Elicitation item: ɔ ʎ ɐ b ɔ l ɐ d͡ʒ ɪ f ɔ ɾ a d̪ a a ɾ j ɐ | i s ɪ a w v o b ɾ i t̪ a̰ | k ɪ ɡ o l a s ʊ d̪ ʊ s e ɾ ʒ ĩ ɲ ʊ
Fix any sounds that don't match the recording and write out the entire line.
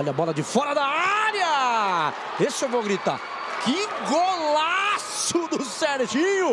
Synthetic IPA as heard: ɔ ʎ ɐ b ɔ l ɐ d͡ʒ ɪ f ɔ ɾ ɐ d̪ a a ɾ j ɐ | e s ɪ e w v o ɡ ɾ i t̪ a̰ | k ɪ ɡ o l a s ʊ d̪ ʊ s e ɾ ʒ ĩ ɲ ʊ